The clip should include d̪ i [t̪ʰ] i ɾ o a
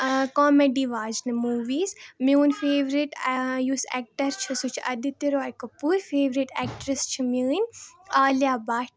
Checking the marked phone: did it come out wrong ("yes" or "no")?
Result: yes